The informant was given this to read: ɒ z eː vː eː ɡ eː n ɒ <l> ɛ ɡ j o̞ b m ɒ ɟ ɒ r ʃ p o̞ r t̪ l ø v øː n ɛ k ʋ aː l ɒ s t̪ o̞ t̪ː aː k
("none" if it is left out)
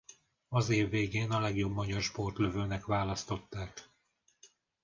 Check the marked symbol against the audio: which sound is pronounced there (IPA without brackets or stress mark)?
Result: l